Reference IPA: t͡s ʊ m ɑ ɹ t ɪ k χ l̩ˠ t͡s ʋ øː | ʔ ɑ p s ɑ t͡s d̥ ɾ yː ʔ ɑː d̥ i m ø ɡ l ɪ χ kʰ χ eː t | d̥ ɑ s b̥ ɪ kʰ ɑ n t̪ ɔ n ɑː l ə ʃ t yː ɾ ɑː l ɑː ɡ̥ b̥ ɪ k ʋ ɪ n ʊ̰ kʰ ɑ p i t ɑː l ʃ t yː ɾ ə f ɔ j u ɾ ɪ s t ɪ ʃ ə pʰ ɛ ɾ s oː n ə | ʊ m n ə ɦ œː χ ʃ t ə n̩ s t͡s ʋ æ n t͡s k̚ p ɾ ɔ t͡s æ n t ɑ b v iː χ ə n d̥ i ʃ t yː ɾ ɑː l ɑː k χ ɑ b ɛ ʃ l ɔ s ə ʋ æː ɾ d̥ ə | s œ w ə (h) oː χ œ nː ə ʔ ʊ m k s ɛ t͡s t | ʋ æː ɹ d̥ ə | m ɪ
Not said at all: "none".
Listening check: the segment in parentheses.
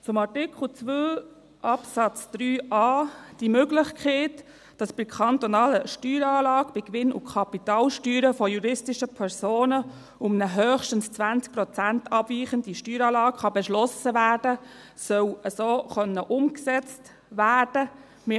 s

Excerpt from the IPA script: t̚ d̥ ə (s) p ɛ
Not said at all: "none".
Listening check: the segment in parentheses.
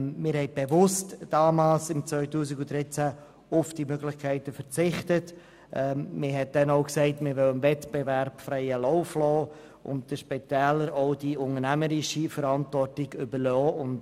ʃ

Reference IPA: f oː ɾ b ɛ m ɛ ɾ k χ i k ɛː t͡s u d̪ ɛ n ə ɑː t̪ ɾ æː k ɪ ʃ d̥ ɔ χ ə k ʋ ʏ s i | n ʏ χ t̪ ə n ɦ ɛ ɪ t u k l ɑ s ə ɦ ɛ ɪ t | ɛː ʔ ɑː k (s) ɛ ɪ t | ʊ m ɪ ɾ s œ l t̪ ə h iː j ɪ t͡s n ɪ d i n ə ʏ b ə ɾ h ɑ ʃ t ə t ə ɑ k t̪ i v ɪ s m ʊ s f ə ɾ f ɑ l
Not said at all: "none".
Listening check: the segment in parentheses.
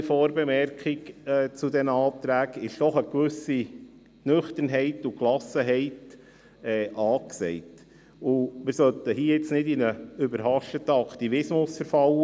s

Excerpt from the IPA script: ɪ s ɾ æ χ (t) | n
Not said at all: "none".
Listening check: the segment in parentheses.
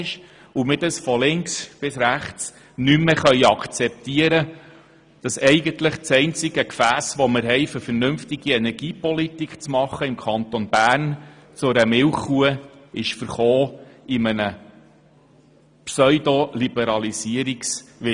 t͡s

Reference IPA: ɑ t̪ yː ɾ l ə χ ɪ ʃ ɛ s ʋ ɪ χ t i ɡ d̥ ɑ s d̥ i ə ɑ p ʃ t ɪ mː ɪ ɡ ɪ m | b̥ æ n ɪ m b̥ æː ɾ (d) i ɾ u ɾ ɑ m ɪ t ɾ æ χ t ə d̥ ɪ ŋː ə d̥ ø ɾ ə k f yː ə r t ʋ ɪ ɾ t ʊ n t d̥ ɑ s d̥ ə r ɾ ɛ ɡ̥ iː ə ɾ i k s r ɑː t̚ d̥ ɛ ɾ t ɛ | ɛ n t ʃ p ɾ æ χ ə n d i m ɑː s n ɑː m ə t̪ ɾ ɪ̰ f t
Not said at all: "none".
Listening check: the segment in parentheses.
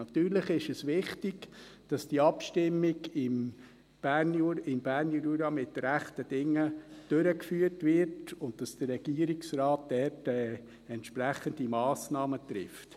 n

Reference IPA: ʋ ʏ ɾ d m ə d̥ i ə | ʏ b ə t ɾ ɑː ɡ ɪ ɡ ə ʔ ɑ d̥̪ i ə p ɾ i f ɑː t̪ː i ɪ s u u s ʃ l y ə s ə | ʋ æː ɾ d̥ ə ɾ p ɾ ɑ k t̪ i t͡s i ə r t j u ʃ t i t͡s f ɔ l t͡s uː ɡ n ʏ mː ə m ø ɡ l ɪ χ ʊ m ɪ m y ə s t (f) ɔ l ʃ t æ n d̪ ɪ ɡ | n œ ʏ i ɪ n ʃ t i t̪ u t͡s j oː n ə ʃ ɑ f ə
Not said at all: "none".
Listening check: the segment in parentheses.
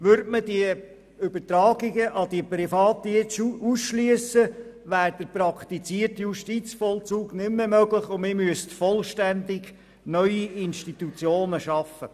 f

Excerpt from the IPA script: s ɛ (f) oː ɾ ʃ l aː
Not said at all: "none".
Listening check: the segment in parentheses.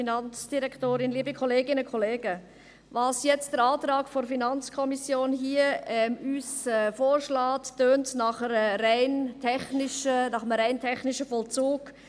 f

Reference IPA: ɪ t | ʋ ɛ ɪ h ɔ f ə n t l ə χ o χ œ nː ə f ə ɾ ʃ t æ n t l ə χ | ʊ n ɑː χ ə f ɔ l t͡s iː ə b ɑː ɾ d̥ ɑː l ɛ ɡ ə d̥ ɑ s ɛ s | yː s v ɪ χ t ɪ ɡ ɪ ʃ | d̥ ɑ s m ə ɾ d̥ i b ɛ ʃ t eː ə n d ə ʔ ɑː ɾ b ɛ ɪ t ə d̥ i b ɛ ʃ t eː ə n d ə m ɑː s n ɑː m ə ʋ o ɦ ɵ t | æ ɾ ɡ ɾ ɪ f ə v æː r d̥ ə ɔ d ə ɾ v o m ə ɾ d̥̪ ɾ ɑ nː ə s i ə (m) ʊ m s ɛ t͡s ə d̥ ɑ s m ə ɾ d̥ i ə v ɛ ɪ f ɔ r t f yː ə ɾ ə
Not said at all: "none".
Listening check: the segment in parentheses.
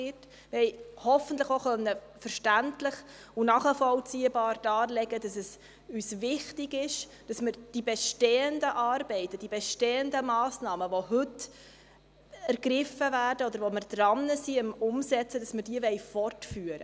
m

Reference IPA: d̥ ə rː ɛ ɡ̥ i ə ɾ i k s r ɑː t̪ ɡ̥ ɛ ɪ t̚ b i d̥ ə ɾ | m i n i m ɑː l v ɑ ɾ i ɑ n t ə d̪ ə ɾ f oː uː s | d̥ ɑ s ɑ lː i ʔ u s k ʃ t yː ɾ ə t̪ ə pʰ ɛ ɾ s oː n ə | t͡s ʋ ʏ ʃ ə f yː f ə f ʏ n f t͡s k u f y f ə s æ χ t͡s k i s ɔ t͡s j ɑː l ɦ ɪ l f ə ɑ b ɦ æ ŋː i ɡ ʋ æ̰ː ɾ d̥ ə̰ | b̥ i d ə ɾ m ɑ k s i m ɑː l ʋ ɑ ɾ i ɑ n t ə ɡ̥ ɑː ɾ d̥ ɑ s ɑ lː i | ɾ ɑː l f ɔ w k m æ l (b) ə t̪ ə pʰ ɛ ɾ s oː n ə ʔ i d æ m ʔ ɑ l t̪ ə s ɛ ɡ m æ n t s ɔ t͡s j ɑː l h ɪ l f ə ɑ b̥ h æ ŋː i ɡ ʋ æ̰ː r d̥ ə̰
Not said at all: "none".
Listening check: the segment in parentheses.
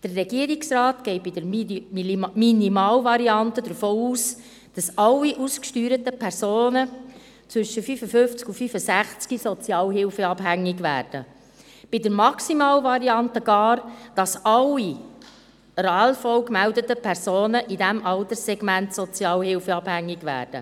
d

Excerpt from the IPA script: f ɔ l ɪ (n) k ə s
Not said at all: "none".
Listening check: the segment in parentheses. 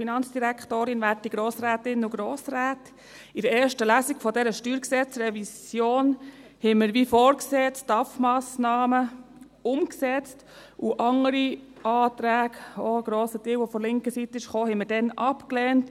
ŋ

